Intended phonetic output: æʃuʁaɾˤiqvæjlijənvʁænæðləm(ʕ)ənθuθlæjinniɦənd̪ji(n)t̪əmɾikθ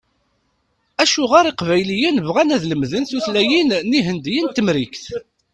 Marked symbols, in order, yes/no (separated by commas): no, yes